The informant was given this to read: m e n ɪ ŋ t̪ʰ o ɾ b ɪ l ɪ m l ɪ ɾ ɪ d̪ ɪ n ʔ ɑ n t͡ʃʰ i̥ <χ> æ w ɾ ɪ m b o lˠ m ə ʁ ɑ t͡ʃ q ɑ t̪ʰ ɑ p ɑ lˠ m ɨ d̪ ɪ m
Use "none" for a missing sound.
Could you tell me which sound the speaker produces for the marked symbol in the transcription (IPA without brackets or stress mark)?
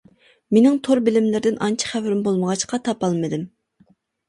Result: χ